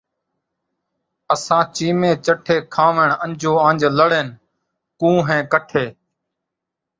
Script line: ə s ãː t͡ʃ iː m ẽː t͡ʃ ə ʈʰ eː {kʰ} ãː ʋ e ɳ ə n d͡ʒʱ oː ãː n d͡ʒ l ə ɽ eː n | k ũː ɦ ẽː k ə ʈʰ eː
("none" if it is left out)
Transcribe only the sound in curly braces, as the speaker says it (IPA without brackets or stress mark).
kʰ